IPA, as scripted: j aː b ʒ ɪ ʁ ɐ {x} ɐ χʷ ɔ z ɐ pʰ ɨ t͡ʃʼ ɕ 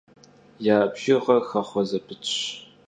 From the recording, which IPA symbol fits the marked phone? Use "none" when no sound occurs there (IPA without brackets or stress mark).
x